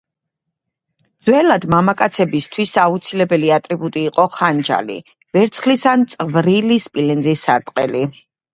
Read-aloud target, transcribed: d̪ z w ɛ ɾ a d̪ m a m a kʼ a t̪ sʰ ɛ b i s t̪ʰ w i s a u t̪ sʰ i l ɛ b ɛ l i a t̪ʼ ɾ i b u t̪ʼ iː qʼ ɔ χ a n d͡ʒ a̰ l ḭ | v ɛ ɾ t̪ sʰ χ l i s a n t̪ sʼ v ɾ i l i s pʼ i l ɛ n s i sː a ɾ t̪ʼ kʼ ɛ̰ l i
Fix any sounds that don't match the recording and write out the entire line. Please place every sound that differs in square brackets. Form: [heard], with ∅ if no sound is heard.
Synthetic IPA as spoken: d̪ z w ɛ [l] a d̪ m a m a kʼ a t̪ sʰ ɛ b i s t̪ʰ w i s a u t̪ sʰ i l ɛ b ɛ l i a t̪ʼ ɾ i b u t̪ʼ iː qʼ ɔ χ a n d͡ʒ a̰ l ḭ | v ɛ ɾ t̪ sʰ χ l i s a n t̪ sʼ v ɾ i l i s pʼ i l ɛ n [z] i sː a ɾ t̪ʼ [qʼ] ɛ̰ l i